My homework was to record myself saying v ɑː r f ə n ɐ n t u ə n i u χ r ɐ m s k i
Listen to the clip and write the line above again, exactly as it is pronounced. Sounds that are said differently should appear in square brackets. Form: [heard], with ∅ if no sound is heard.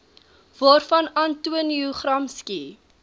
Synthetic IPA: v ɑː r f [ɐ] n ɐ n t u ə n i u χ r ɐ m s k i